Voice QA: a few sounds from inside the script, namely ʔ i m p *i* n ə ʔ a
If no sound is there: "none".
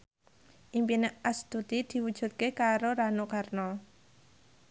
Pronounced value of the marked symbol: i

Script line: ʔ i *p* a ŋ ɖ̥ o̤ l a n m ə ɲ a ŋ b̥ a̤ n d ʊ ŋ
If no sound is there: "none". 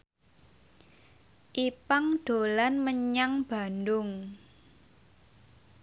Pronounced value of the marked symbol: p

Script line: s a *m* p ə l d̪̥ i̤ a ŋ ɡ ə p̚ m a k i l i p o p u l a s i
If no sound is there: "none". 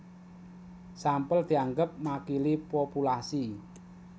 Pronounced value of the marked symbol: m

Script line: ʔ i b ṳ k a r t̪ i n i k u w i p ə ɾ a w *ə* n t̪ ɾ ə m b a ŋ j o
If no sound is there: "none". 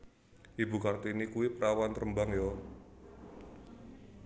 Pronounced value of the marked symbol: a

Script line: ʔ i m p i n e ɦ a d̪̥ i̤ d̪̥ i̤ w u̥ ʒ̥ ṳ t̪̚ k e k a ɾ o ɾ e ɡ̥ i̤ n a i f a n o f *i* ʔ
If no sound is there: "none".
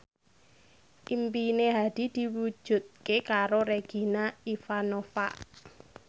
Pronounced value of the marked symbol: a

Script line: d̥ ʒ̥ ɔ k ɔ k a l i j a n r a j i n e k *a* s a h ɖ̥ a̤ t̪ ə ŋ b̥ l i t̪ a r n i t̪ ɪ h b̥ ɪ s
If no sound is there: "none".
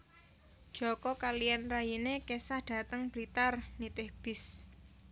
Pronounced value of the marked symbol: e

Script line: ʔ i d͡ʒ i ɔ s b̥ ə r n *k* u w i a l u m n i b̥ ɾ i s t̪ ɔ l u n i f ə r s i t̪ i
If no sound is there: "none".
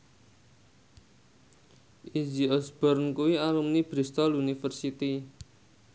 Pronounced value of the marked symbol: k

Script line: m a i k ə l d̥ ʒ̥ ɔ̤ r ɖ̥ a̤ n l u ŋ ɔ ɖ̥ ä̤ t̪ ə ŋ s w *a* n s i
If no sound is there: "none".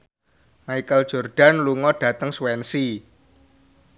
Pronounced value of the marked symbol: ɛ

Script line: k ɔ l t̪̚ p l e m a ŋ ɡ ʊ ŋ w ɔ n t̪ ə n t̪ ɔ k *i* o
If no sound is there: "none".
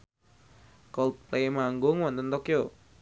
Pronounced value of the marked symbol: j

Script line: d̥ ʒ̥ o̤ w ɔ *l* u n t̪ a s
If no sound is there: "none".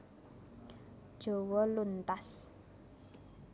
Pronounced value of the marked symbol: l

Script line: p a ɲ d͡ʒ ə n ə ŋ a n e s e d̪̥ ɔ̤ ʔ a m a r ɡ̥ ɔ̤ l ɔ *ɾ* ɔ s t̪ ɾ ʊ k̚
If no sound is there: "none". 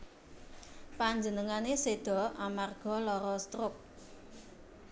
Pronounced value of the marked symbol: ɾ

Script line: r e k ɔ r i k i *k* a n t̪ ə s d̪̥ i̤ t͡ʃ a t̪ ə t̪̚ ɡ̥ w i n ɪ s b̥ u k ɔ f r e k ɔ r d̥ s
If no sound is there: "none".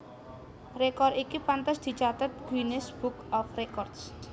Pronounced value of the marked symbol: p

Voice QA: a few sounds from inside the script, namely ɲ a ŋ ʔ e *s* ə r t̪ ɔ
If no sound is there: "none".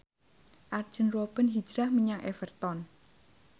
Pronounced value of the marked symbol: f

